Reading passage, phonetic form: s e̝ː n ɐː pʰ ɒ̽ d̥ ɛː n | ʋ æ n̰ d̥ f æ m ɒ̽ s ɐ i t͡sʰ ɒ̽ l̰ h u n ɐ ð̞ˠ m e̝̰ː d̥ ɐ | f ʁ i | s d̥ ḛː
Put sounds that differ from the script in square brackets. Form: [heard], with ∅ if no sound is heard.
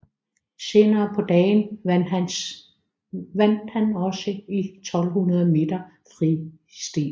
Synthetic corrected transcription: s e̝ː n ɐː pʰ ɒ̽ d̥ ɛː n | ʋ æ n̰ d̥ [h] æ [n] ɒ̽ s [ə] i t͡sʰ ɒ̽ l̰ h u n ɐ ð̞ˠ m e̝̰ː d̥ ɐ | f ʁ i | s d̥ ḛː